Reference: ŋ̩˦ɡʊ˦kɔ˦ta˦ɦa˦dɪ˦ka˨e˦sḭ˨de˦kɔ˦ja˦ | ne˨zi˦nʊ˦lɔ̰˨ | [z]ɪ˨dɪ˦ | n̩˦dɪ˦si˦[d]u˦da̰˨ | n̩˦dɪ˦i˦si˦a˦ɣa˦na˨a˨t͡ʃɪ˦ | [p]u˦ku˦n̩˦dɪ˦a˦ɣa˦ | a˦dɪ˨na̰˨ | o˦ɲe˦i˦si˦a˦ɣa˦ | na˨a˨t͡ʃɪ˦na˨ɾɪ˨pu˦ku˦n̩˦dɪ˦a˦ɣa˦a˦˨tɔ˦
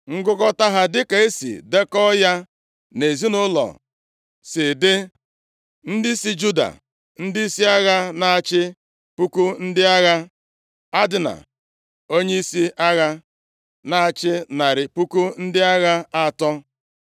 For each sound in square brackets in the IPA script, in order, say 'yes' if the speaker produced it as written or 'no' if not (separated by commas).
no, no, yes